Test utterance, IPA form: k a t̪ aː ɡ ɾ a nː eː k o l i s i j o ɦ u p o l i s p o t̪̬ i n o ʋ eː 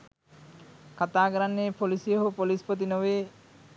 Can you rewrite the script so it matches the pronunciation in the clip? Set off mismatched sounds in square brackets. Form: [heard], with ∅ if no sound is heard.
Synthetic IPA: k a t̪ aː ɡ ɾ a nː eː [p] o l i s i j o ɦ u p o l i s p o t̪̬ i n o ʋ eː